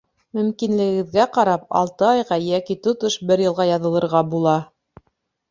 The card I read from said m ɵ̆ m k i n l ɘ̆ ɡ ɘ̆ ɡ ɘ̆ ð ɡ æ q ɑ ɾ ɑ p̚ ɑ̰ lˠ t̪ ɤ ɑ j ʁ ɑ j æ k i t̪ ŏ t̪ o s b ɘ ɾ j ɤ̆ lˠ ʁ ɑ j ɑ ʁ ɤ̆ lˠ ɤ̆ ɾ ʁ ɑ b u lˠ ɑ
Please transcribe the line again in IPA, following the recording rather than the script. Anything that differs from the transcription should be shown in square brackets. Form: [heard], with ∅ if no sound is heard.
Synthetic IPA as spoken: m ɵ̆ m k i n l ɘ̆ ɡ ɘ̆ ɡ ɘ̆ ð ɡ æ q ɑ ɾ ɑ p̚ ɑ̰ lˠ t̪ ɤ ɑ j ʁ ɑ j æ k i t̪ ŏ t̪ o [ʃ] b ɘ ɾ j ɤ̆ lˠ ʁ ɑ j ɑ [ð] ɤ̆ lˠ ɤ̆ ɾ ʁ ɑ b u lˠ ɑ

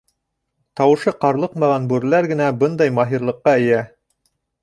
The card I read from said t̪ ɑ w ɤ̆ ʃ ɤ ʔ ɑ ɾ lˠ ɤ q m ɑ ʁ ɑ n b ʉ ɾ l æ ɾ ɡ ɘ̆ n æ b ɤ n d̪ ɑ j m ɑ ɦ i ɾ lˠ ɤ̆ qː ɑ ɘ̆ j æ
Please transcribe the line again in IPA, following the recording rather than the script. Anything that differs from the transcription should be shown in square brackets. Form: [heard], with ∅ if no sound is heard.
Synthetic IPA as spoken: t̪ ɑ w ɤ̆ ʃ ɤ [q] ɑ ɾ lˠ ɤ q m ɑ ʁ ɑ n b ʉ ɾ l æ ɾ ɡ ɘ̆ n æ b ɤ n d̪ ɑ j m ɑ ɦ i ɾ lˠ ɤ̆ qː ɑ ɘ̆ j æ

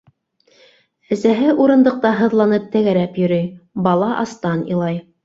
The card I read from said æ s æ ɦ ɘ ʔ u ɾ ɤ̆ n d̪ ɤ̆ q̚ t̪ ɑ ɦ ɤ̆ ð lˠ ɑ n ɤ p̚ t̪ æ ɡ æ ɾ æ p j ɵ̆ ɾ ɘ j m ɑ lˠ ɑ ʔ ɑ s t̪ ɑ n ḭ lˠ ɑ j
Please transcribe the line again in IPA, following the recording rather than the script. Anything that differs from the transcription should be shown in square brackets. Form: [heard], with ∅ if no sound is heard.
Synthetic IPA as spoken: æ s æ ɦ ɘ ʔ u ɾ ɤ̆ n d̪ ɤ̆ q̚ t̪ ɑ ɦ ɤ̆ ð lˠ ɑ n ɤ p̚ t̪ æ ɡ æ ɾ æ p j ɵ̆ ɾ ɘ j [b] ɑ lˠ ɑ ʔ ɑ s t̪ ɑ n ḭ lˠ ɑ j

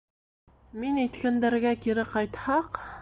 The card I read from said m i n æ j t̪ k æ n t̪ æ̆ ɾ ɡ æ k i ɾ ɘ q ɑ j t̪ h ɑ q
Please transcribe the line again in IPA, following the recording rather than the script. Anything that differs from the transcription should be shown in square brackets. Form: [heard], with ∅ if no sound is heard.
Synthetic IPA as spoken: m i n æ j t̪ k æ n [d̪] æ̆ ɾ ɡ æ k i ɾ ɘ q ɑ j t̪ h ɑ q

